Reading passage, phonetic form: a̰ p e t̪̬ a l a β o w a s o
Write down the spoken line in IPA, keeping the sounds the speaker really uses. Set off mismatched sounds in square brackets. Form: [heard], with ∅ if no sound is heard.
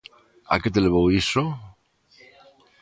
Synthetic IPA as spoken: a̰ [k] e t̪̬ [e] l [e] β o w [i] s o